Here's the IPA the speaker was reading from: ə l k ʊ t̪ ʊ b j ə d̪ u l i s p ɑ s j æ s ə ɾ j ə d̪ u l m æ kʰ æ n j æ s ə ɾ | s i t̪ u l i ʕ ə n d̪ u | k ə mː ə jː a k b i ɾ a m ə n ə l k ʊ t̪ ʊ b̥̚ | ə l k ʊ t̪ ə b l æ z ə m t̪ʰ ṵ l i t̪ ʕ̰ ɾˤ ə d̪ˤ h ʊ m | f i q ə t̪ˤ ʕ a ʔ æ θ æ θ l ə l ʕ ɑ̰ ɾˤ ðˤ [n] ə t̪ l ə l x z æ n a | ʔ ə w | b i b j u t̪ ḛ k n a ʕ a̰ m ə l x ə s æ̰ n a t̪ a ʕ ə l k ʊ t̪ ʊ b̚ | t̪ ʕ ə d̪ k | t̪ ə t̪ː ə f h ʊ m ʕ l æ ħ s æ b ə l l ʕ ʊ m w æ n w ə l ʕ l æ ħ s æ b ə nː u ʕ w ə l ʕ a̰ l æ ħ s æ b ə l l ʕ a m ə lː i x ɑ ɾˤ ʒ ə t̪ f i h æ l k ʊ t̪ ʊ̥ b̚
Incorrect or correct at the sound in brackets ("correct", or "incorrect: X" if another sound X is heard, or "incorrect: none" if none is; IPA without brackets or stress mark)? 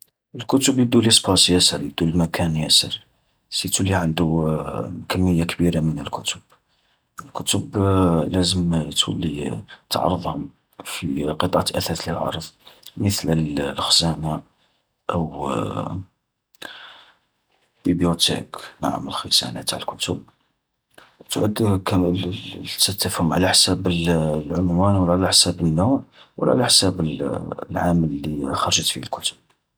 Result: incorrect: m